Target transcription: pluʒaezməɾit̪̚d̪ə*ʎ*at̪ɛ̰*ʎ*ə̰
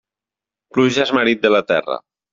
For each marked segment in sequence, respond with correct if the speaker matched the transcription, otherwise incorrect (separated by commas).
incorrect, incorrect